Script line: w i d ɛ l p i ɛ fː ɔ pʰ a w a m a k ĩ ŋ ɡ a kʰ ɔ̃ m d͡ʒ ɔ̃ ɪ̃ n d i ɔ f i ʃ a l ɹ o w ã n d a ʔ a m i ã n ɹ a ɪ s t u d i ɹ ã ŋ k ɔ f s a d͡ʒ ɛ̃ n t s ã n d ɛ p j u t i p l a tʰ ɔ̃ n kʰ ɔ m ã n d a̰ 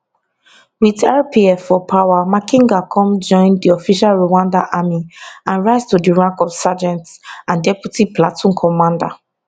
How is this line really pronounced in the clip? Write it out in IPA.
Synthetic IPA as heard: w i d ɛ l p i ɛ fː ɔ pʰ a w a m a k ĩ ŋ ɡ a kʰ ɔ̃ m d͡ʒ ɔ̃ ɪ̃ n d i ɔ f i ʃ a l ɹ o w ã n d a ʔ a m i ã n ɹ a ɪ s t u d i ɹ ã ŋ k ɔ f s a d͡ʒ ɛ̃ n t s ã n d ɛ p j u t i p l a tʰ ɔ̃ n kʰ ɔ m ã n d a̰